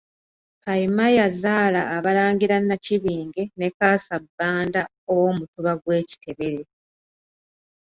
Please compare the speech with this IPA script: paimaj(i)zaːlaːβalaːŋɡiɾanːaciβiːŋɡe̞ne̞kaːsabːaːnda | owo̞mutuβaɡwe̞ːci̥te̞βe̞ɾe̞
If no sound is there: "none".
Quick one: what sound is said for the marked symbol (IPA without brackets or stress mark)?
a